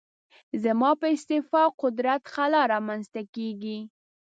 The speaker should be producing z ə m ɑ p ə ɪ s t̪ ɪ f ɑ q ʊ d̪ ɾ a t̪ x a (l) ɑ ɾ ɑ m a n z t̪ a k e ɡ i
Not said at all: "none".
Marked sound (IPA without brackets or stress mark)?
l